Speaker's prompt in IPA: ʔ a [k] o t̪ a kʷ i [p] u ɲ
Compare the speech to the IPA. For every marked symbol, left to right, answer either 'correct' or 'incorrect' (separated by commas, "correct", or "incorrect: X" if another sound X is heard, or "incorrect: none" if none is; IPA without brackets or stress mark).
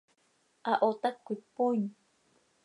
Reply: incorrect: ʔ, correct